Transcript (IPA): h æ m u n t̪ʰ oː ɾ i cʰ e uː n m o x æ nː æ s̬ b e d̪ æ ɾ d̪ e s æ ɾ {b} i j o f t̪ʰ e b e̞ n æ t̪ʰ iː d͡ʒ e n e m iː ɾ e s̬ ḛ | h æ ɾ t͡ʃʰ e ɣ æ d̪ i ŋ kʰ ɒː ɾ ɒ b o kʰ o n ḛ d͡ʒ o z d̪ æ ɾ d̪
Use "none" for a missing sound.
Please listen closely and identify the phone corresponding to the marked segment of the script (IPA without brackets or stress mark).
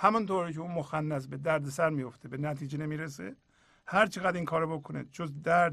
m